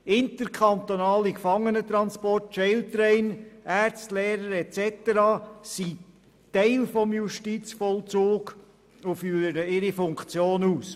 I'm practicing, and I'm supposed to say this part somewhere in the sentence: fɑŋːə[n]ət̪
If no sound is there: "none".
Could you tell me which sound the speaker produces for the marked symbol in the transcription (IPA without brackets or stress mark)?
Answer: n